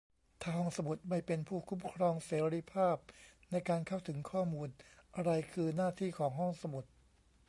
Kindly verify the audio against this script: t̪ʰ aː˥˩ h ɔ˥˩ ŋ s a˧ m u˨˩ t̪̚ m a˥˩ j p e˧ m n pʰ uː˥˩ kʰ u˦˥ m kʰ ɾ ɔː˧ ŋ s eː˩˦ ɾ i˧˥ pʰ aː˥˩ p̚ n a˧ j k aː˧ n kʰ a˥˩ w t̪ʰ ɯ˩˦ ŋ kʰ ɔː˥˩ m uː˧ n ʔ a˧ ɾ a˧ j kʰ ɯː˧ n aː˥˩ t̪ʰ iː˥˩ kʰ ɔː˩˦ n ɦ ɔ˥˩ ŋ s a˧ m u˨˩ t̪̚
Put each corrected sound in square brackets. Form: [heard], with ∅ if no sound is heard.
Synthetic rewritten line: t̪ʰ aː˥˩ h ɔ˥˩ ŋ s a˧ m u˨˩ t̪̚ m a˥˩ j p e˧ [∅] n pʰ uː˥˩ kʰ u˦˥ m kʰ ɾ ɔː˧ ŋ s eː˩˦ ɾ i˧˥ pʰ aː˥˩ p̚ n a˧ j k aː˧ n kʰ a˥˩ w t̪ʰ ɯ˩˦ ŋ kʰ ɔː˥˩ m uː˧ n ʔ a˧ ɾ a˧ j kʰ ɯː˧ n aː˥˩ t̪ʰ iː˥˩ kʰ ɔː˩˦ [ŋ] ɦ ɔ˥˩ ŋ s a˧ m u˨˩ t̪̚

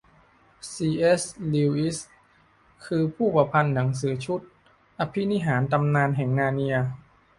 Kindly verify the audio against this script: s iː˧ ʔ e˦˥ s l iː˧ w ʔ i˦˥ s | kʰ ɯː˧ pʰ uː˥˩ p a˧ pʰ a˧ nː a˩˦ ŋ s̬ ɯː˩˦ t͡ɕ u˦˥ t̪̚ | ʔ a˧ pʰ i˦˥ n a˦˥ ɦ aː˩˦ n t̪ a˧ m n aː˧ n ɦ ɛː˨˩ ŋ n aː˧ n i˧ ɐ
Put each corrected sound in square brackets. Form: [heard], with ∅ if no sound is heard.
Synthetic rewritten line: s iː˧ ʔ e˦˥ s l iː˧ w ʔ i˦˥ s | kʰ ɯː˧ pʰ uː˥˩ p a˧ pʰ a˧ nː a˩˦ ŋ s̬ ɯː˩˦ [t͡ɕʰ] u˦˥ t̪̚ | ʔ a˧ pʰ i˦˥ n [i˦˥] ɦ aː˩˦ n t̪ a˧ m n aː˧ n ɦ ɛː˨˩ ŋ n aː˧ n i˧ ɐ

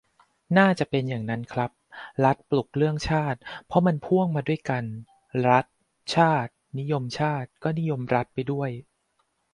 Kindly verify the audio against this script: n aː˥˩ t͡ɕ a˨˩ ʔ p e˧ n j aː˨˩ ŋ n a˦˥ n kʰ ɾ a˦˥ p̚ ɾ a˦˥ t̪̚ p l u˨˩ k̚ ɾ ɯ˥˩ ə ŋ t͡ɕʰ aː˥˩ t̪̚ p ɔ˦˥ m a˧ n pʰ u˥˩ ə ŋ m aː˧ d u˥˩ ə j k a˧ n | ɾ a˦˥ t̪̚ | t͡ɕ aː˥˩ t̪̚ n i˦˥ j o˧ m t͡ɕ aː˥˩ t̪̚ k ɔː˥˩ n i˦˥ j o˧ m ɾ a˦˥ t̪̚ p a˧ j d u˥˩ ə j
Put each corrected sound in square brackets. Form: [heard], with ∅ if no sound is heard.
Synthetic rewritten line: n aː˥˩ t͡ɕ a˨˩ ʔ p e˧ n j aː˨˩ ŋ n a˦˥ n kʰ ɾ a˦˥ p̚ ɾ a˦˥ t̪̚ p l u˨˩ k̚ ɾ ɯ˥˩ ə ŋ t͡ɕʰ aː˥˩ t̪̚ [pʰ] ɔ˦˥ m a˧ n pʰ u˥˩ ə ŋ m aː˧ d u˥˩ ə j k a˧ n | ɾ a˦˥ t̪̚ | [t͡ɕʰ] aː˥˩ t̪̚ n i˦˥ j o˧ m [t͡ɕʰ] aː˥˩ t̪̚ k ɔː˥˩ n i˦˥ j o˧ m ɾ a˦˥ t̪̚ p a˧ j d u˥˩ ə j

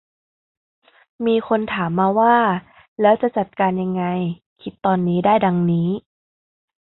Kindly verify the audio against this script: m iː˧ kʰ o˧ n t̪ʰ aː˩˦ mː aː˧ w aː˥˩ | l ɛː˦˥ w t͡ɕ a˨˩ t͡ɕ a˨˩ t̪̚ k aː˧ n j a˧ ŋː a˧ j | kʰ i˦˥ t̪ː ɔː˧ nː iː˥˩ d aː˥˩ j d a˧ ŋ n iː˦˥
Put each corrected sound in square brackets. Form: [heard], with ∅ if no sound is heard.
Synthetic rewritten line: m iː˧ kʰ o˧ n t̪ʰ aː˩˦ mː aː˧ w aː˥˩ | l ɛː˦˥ w t͡ɕ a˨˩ t͡ɕ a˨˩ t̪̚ k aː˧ n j a˧ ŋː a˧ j | kʰ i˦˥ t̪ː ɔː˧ nː [iː˦˥] d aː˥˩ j d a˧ ŋ n iː˦˥

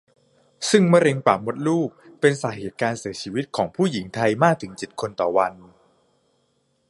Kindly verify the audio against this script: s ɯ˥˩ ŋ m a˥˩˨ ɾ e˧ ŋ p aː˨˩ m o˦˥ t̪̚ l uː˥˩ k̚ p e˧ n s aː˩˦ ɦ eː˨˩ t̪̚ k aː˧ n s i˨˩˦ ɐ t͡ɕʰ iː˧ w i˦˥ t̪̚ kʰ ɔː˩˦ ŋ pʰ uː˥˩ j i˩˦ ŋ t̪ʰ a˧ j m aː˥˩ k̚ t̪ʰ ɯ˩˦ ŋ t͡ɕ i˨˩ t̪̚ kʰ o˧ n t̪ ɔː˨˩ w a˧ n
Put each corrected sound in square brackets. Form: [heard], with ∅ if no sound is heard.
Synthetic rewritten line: s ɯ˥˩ ŋ m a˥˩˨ ɾ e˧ ŋ p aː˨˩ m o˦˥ t̪̚ l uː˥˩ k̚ p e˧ n s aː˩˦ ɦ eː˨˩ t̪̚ k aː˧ n s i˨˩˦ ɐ t͡ɕʰ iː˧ w i˦˥ t̪̚ kʰ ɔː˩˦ ŋ pʰ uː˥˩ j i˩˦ ŋ t̪ʰ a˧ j m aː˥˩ k̚ t̪ʰ ɯ˩˦ ŋ t͡ɕ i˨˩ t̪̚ kʰ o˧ n t̪ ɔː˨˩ w a˧ n

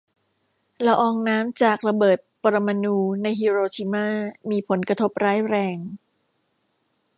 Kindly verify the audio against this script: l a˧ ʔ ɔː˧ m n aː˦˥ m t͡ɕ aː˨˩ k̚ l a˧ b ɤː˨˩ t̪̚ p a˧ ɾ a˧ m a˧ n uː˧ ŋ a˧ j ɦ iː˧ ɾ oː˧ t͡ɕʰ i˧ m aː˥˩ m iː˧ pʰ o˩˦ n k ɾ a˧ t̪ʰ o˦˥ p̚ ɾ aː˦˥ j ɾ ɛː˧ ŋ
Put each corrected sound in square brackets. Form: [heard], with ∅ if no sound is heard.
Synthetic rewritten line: l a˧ ʔ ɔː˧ [ŋ] n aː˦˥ m t͡ɕ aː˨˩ k̚ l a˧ b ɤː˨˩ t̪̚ p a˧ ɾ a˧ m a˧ n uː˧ [n] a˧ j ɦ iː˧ ɾ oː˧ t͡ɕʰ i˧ m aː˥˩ m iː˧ pʰ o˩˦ n k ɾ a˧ t̪ʰ o˦˥ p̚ ɾ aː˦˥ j ɾ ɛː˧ ŋ

